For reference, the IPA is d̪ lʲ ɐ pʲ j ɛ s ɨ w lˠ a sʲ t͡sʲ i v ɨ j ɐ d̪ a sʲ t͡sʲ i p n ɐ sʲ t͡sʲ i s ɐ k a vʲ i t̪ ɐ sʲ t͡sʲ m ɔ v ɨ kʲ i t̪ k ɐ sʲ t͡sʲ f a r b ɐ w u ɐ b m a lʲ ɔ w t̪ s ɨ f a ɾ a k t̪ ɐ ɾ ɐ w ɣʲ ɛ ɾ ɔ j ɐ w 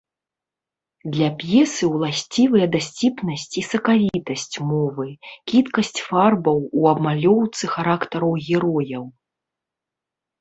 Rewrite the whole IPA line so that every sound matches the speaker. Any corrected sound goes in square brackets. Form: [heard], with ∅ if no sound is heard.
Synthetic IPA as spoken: d̪ lʲ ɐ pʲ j ɛ s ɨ w lˠ a sʲ t͡sʲ i v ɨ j ɐ d̪ a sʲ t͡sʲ i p n ɐ sʲ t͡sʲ i s ɐ k a vʲ i t̪ ɐ sʲ t͡sʲ m ɔ v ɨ kʲ i t̪ k ɐ sʲ t͡sʲ f a r b ɐ w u ɐ b m a lʲ ɔ w t̪ s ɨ [x] a ɾ a k t̪ ɐ ɾ ɐ w ɣʲ ɛ ɾ ɔ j ɐ w